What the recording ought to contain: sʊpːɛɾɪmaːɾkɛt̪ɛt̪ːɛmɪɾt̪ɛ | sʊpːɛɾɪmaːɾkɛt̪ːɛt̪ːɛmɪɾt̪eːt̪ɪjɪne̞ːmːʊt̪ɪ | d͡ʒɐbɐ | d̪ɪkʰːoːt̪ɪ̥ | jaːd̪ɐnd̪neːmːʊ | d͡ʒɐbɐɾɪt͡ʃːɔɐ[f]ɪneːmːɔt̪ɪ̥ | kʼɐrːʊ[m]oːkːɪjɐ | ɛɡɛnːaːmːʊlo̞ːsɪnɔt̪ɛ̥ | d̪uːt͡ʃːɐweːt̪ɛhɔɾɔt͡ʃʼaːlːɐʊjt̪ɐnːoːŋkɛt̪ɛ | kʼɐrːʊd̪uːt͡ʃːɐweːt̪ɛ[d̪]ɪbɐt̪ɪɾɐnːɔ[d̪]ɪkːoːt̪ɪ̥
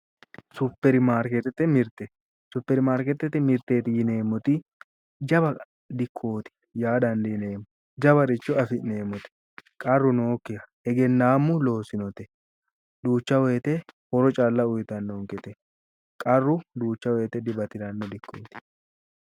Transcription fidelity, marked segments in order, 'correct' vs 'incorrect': correct, incorrect: n, correct, correct

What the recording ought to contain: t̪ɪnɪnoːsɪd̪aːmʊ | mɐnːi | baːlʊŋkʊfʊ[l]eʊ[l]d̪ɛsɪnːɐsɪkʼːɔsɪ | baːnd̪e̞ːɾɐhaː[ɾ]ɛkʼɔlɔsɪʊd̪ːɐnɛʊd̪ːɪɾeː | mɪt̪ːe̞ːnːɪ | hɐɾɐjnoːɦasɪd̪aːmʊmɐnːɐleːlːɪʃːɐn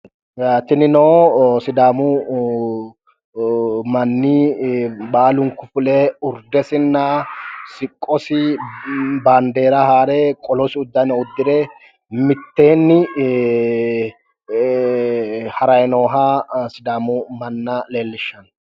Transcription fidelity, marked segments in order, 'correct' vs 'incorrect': correct, incorrect: ɾ, correct

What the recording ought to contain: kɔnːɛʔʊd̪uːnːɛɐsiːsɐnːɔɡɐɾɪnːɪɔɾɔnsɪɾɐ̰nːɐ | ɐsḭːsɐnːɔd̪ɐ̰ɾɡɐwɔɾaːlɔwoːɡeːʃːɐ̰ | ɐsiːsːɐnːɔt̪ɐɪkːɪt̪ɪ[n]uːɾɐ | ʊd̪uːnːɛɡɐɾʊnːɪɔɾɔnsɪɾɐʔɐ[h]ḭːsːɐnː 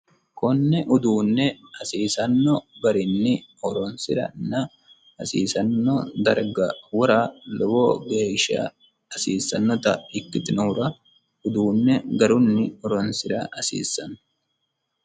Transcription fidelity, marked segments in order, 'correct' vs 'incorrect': correct, incorrect: s

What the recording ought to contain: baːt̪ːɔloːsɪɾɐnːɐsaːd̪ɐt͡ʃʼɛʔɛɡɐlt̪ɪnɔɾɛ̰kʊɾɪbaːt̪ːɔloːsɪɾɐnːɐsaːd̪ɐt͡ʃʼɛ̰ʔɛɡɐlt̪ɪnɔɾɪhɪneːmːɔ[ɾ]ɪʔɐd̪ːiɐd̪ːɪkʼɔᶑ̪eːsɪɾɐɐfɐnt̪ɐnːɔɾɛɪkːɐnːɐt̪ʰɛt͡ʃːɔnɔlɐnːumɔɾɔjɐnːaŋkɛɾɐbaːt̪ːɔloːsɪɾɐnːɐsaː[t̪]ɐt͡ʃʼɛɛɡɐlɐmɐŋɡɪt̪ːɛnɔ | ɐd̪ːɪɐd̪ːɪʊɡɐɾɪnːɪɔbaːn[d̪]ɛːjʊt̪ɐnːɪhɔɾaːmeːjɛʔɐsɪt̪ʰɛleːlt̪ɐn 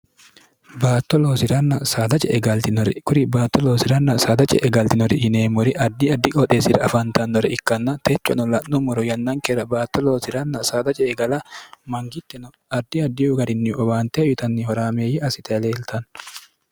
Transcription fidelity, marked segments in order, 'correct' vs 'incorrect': correct, incorrect: d̪, incorrect: t̪

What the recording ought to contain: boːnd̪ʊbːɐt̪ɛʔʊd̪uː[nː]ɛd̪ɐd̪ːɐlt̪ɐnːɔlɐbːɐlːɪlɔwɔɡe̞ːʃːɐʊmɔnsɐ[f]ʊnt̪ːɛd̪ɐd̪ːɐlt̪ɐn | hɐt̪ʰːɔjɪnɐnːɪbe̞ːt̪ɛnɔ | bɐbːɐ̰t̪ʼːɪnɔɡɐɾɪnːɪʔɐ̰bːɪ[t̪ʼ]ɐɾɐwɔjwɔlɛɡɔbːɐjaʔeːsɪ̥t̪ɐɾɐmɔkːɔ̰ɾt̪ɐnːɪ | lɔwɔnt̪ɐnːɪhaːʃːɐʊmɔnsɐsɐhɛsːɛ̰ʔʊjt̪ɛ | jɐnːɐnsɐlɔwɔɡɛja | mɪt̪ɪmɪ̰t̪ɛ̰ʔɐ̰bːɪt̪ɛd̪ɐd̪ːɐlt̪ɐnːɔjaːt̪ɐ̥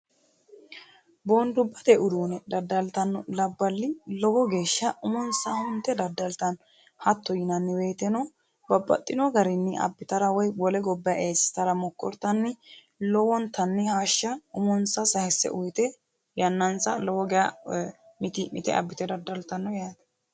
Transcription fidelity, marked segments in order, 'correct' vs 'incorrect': incorrect: n, incorrect: h, incorrect: t̪

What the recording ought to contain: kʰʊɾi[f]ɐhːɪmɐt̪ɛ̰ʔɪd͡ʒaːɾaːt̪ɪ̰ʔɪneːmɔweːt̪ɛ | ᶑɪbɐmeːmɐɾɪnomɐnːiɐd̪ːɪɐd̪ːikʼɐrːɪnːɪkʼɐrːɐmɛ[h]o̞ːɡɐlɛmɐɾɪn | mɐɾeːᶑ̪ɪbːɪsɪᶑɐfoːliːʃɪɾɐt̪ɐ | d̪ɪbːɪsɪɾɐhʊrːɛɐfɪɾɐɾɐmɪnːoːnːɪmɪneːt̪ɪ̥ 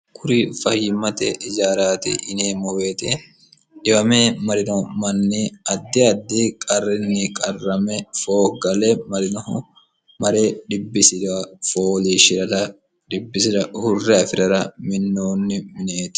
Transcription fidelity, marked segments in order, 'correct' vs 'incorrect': correct, incorrect: f

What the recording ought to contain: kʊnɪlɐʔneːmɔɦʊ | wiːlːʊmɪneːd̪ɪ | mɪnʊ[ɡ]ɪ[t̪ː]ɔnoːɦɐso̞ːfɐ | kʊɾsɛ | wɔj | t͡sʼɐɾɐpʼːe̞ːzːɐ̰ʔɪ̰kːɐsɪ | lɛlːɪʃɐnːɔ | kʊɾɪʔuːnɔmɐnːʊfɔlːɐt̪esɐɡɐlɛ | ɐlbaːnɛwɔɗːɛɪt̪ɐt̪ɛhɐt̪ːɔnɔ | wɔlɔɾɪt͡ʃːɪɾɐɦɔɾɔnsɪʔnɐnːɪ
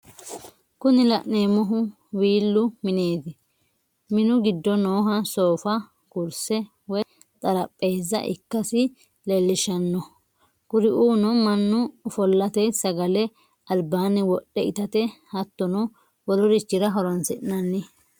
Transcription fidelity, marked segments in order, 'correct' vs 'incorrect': correct, incorrect: d̪ː

